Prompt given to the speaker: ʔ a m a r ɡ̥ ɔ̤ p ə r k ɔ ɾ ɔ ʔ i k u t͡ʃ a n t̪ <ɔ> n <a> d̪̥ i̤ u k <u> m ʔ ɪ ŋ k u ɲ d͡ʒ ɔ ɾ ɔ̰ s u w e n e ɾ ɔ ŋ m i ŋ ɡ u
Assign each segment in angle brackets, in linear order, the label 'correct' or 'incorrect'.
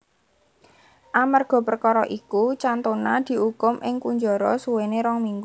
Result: incorrect, correct, incorrect

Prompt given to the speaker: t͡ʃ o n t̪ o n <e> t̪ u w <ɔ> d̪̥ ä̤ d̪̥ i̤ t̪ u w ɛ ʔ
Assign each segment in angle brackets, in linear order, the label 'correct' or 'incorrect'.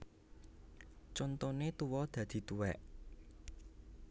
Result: correct, correct

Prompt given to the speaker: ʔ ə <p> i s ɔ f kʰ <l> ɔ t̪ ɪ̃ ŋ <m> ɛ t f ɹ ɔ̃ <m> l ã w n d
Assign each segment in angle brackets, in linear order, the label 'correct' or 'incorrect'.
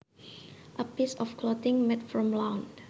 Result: correct, correct, correct, correct

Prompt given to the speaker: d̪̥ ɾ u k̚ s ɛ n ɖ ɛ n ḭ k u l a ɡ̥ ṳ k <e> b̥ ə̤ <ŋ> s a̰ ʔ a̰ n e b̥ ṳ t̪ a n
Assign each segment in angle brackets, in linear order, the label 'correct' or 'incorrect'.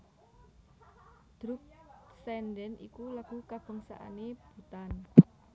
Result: incorrect, correct

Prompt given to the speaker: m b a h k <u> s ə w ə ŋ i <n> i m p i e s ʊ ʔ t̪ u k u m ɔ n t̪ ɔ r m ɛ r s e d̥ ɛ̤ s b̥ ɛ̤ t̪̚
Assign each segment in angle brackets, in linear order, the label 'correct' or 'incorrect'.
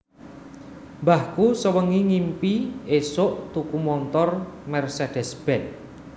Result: correct, incorrect

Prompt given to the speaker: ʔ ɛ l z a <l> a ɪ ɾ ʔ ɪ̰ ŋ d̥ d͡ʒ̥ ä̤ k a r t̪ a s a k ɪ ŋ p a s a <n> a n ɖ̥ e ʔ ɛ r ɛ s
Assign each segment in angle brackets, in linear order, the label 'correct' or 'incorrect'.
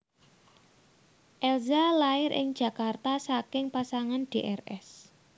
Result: correct, incorrect

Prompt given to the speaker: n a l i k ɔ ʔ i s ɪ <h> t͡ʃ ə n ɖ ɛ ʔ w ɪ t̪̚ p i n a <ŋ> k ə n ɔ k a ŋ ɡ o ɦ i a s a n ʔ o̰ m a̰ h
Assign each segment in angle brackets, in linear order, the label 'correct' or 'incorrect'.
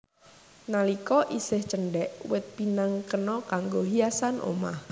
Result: correct, correct

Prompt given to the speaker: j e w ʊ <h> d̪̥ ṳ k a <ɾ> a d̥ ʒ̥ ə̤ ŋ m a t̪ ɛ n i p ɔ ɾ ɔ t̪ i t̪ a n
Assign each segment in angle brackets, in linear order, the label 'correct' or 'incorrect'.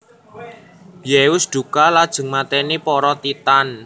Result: incorrect, incorrect

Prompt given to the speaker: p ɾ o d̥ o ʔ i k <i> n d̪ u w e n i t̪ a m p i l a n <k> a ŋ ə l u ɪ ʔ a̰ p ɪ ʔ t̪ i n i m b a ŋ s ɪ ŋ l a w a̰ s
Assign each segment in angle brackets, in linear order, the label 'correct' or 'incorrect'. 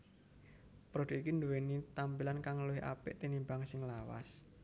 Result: correct, correct

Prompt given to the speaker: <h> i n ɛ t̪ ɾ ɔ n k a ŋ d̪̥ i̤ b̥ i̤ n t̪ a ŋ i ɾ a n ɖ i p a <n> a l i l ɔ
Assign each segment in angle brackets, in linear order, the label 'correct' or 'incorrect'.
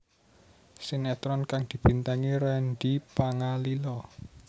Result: incorrect, incorrect

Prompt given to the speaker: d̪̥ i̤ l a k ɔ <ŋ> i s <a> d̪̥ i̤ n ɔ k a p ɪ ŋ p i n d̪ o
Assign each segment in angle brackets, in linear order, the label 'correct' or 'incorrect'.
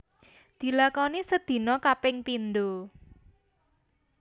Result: incorrect, incorrect

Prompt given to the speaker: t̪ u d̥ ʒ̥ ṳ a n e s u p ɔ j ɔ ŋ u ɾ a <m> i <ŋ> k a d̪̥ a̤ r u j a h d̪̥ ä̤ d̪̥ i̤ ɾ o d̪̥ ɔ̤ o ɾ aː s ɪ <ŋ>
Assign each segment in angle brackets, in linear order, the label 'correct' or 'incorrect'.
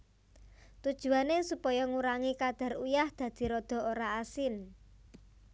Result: incorrect, incorrect, incorrect

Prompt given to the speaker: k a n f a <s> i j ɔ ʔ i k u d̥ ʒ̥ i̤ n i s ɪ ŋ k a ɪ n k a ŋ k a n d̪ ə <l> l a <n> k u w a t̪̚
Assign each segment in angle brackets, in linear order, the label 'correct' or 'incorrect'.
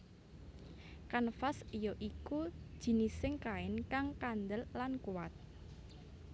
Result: correct, correct, correct

